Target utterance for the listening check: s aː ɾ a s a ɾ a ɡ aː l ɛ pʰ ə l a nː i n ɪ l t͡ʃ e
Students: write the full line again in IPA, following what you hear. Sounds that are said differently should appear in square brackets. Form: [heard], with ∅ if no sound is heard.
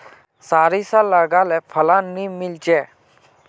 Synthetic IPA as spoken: s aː ɾ [i] s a [l] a ɡ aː l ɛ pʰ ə l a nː i [m] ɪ l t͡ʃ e